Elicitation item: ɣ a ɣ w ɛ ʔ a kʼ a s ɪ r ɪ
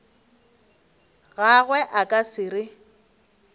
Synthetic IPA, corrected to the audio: ɣ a ɣ w ɛ ʔ a kʼ a s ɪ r ɪ